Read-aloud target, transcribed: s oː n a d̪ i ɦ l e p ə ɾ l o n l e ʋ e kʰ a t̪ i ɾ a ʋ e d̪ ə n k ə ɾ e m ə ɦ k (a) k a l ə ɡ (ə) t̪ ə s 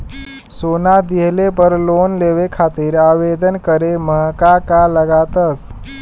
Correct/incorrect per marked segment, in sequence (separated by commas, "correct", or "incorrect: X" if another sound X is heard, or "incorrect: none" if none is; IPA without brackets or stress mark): correct, incorrect: a